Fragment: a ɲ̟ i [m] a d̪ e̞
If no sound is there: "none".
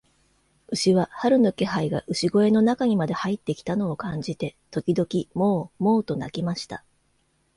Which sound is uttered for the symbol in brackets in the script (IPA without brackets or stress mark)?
m